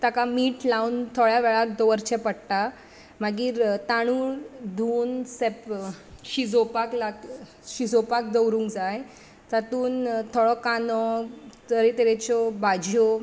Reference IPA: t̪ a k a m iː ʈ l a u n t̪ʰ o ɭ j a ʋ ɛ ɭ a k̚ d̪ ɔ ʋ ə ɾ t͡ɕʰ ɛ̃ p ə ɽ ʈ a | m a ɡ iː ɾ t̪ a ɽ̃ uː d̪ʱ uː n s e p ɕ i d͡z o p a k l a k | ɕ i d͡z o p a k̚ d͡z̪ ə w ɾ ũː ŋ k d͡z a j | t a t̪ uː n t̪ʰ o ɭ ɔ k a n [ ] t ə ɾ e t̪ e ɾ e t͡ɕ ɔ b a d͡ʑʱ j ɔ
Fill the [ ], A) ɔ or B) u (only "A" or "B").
A